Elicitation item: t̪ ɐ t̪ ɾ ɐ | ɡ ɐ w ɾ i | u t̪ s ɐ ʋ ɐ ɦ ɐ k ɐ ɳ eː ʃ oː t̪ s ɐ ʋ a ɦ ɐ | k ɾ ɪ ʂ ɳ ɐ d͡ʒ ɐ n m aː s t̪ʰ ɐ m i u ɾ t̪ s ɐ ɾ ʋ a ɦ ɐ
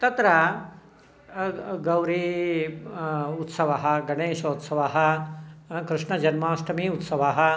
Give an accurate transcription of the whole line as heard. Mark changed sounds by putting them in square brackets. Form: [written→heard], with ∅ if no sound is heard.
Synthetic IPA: t̪ ɐ t̪ ɾ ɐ | ɡ ɐ w ɾ i | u t̪ s ɐ ʋ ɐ ɦ ɐ [k→ɡ] ɐ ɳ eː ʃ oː t̪ s ɐ ʋ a ɦ ɐ | k ɾ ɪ ʂ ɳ ɐ d͡ʒ ɐ n m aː s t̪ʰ ɐ m i u [ɾ→∅] t̪ s ɐ [ɾ→∅] ʋ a ɦ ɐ